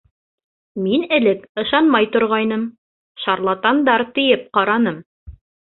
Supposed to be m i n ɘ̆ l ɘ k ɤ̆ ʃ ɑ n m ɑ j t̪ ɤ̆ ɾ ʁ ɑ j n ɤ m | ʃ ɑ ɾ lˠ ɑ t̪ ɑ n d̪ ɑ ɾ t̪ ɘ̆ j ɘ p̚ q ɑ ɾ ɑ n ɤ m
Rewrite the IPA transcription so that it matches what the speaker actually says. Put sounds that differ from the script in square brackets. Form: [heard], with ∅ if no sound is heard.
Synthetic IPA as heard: m i n ɘ̆ l ɘ k ɤ̆ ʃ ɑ n m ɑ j t̪ [ŏ] ɾ ʁ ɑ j n ɤ m | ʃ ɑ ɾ lˠ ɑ t̪ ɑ n d̪ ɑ ɾ t̪ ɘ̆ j ɘ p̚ q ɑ ɾ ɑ n ɤ m